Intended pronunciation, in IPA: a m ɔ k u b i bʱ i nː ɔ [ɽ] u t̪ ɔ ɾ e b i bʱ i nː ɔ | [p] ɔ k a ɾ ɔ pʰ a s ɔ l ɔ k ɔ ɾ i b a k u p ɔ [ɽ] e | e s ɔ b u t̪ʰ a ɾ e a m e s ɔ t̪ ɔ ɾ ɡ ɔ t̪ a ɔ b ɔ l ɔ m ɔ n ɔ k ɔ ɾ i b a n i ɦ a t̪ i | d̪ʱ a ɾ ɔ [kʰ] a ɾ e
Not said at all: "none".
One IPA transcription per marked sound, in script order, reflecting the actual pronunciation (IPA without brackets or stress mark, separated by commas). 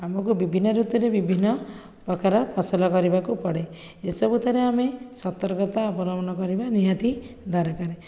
ɾ, p, ɽ, k